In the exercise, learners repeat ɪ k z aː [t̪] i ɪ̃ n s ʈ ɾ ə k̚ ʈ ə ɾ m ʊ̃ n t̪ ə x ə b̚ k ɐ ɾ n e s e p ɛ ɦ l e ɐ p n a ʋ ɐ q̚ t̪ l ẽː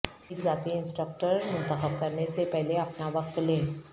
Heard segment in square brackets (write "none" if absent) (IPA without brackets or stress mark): t̪